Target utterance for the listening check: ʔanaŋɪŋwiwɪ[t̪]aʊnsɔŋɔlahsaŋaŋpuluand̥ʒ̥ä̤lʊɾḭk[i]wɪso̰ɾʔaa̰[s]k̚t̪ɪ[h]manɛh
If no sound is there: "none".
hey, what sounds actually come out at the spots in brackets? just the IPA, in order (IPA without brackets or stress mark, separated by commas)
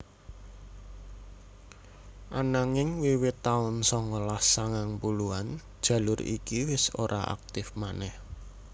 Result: t̪, i, none, f